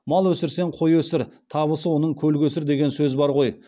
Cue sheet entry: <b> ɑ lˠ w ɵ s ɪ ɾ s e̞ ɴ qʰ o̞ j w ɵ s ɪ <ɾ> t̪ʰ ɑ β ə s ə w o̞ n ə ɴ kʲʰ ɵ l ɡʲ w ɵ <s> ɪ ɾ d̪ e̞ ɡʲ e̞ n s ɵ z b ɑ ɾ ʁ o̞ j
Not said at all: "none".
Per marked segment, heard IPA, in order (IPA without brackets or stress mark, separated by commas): m, ɾ, s